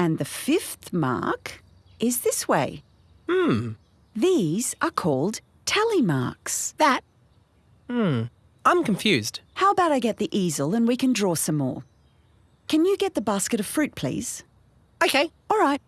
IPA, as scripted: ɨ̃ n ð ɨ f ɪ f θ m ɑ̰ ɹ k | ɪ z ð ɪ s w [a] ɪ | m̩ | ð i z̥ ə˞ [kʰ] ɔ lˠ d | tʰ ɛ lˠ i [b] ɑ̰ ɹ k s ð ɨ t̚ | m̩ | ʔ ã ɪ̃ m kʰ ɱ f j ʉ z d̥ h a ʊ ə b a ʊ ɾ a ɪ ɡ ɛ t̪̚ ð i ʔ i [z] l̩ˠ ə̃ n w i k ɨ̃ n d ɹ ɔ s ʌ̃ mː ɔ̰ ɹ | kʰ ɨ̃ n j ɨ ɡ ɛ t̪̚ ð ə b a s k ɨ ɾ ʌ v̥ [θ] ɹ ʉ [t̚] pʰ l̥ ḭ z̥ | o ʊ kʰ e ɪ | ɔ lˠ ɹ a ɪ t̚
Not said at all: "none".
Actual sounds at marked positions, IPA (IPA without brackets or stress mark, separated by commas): e, kʰ, m, z, f, t̚